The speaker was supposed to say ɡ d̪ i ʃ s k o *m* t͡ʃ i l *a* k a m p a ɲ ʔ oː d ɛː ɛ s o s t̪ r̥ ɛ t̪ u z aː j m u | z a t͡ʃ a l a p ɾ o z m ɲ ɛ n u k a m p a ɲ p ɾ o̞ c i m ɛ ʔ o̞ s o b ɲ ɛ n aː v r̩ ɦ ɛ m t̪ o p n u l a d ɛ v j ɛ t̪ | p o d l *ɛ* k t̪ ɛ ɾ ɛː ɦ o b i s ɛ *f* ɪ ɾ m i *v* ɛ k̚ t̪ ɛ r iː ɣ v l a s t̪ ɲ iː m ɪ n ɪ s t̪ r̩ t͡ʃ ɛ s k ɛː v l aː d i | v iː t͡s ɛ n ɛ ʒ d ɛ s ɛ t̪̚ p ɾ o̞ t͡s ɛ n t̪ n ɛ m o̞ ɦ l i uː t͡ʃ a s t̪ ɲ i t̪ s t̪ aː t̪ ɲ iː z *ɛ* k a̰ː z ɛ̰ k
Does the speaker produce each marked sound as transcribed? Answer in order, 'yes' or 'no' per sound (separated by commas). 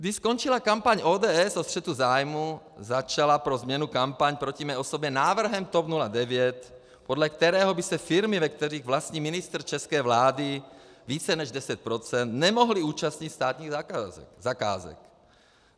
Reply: no, yes, yes, yes, yes, no